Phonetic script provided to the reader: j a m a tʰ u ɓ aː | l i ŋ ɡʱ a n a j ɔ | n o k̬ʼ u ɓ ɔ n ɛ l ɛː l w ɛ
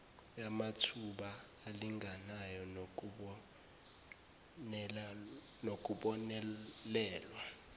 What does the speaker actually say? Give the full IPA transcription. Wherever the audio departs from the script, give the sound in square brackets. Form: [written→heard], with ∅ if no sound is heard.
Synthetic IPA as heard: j a m a tʰ u ɓ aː | l i ŋ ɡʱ a n a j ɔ | n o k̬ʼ u ɓ ɔ n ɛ l ɛː l w [ɛ→a]

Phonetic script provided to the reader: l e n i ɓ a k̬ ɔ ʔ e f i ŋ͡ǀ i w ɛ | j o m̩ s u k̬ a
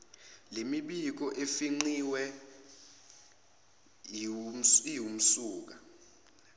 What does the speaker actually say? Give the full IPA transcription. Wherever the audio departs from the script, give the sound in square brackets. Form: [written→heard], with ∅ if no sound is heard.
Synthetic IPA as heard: l e [n→m] i ɓ [a→i] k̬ ɔ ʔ e f i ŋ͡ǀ i w ɛ | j [o→u] m̩ s [u→uː] k̬ a

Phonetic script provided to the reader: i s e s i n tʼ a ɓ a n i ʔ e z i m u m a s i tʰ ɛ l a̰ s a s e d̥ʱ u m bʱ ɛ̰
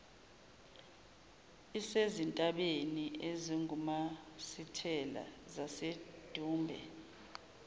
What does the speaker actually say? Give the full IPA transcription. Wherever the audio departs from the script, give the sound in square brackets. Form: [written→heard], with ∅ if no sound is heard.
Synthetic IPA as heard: i s e [s→z] i n tʼ a ɓ [a→e] n i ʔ e z i [m→ŋ] u m a s i tʰ ɛ l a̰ [s→z] a s e d̥ʱ [u→uː] m bʱ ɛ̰

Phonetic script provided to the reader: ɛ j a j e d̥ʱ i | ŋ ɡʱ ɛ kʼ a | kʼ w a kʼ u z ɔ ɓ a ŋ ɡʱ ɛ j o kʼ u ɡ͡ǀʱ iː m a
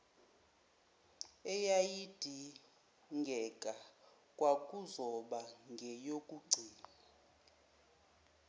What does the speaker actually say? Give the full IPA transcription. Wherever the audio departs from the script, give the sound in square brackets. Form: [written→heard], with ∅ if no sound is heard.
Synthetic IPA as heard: ɛ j a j [e→i] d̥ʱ i | ŋ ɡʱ ɛ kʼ a | kʼ w a kʼ u z ɔ ɓ a ŋ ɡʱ ɛ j o kʼ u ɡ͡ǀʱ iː [m→n] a

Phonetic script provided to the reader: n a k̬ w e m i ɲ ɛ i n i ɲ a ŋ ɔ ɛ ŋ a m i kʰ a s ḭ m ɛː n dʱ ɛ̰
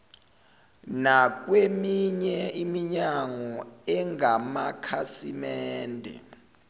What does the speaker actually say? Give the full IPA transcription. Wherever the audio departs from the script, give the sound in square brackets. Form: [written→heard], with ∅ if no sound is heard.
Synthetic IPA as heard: n a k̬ w e m i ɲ ɛ i [n→m] i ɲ a ŋ ɔ ɛ ŋ a m [i→a] kʰ a s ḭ m ɛː n dʱ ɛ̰

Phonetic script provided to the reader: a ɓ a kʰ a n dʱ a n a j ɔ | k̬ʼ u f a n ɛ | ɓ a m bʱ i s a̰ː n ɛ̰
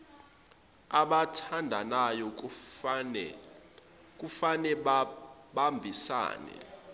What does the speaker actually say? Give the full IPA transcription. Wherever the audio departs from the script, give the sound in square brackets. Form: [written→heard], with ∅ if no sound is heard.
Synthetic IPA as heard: a ɓ a [kʰ→tʰ] a n dʱ a n a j ɔ | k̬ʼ u f a n ɛ | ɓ a m bʱ i s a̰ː n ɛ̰

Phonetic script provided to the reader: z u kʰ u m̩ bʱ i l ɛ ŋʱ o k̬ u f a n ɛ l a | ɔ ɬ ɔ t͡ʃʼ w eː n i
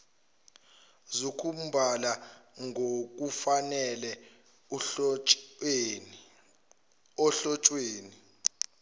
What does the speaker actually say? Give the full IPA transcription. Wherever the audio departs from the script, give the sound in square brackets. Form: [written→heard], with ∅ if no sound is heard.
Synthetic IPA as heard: z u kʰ u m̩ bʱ [i→a] l [ɛ→a] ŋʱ o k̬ u f a n ɛ l [a→ɛ] | ɔ ɬ ɔ t͡ʃʼ w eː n i

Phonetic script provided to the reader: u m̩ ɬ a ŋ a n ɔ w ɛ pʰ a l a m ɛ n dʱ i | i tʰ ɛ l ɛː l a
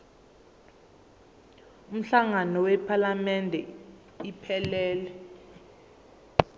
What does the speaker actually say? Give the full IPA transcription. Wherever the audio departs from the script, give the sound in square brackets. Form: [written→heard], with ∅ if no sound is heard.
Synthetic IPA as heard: u m̩ ɬ a ŋ a n ɔ w ɛ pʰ a l a m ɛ n dʱ [i→ɛ] | i [tʰ→pʰ] ɛ l ɛː l [a→ɛ]

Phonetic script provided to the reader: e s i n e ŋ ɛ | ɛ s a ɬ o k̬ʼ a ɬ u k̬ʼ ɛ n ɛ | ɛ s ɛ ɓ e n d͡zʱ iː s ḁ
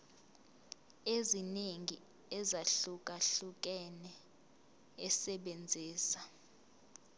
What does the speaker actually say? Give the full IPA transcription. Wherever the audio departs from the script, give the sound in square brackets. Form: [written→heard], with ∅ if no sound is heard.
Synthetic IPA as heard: e [s→z] i n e ŋ [ɛ→i] | ɛ [s→z] a ɬ [o→u] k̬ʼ a ɬ u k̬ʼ ɛ n ɛ | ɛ s ɛ ɓ e n d͡zʱ iː s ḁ

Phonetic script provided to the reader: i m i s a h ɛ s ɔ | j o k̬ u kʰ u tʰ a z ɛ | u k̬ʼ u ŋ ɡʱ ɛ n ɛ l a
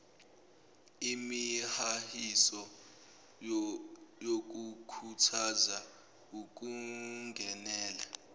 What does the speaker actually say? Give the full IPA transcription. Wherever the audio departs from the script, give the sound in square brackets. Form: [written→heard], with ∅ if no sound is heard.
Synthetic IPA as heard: i m i [s→h] a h [ɛ→i] s ɔ | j o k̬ u kʰ u tʰ a z [ɛ→a] | u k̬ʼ u ŋ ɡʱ ɛ n [ɛ→ɛː] l a

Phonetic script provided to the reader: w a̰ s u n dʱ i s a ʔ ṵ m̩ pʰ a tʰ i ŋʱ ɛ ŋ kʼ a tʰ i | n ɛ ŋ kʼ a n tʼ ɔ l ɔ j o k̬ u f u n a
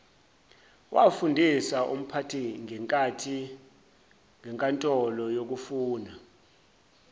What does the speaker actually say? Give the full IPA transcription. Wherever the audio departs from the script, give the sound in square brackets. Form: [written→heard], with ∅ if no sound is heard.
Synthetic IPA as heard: w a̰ [s→f] u n dʱ i s a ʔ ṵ m̩ pʰ a tʰ i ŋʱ ɛ ŋ kʼ a tʰ i | [n→ŋ] ɛ ŋ kʼ a n tʼ ɔ l ɔ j o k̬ u f [u→uː] n a

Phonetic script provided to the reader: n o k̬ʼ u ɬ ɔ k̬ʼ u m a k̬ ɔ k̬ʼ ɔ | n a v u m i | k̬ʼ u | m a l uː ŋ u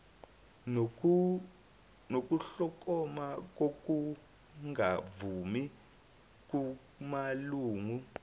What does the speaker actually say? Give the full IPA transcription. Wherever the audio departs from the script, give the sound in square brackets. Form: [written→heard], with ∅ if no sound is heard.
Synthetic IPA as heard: n o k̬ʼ u ɬ ɔ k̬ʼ [u→ɔ] m a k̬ [ɔ→o] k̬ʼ [ɔ→u] | [n→ŋ] a v u m i | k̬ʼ u | m a l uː ŋ u

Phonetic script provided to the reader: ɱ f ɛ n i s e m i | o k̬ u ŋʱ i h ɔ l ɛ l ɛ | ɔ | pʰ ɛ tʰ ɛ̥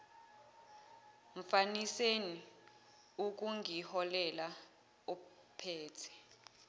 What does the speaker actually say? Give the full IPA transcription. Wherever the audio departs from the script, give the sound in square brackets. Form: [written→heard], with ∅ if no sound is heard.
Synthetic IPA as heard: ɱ f [ɛ→a] n i s e [m→n] i | [o→u] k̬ u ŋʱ i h ɔ l ɛ l [ɛ→a] | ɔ | pʰ [ɛ→ɛː] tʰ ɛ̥

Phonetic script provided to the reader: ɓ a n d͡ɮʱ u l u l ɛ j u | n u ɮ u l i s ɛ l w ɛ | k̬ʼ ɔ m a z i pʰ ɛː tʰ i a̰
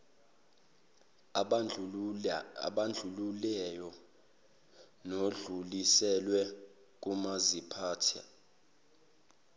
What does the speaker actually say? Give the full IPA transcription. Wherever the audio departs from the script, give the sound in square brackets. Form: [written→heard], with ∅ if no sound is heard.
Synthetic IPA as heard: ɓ a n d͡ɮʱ u l u l ɛ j [u→ɔ] | n [u→o] ɮ u l i s ɛ l w ɛ | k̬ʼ [ɔ→u] m a z i pʰ [ɛː→aː] tʰ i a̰

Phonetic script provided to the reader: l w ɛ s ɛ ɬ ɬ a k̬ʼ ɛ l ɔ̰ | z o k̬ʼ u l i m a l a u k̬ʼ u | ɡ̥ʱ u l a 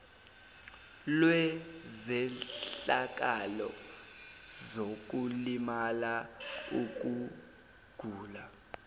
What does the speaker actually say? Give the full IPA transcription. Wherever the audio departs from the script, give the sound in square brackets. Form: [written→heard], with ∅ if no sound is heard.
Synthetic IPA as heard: l w ɛ [s→z] ɛ ɬ ɬ a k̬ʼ [ɛ→a] l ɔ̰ | z o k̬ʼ u l i m a l a u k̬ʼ u | ɡ̥ʱ [u→uː] l a

